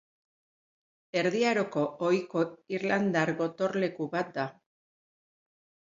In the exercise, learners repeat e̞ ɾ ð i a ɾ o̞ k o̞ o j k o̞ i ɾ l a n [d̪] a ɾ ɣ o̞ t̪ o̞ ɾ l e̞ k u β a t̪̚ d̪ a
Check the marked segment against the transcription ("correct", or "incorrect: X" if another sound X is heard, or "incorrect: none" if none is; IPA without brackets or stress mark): correct